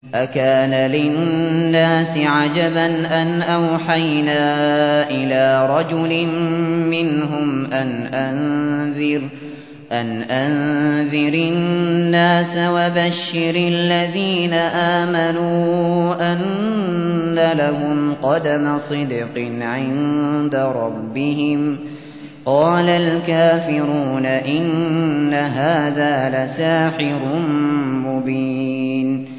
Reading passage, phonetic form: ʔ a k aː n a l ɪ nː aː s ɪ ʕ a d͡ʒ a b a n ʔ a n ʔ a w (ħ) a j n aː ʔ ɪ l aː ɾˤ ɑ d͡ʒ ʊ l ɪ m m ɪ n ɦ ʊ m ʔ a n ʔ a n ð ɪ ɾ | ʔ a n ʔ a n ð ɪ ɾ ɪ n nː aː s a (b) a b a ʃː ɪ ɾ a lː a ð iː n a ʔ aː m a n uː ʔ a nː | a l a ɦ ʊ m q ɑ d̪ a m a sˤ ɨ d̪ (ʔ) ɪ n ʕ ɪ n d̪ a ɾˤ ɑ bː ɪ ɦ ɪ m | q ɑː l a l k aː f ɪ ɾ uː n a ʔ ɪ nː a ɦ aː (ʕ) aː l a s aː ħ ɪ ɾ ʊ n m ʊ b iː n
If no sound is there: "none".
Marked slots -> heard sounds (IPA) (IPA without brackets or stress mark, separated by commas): ħ, w, q, ð